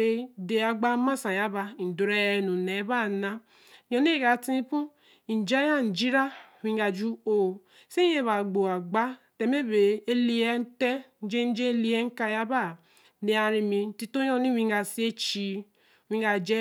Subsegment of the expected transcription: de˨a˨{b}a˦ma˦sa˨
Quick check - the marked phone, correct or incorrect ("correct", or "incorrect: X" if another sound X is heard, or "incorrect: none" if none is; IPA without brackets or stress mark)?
incorrect: ɡ͡b